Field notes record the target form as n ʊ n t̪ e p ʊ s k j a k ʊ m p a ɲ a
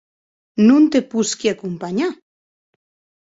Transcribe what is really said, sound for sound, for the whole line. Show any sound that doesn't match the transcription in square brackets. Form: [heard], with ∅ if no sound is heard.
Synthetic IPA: n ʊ n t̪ e p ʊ s k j a k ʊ m p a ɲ a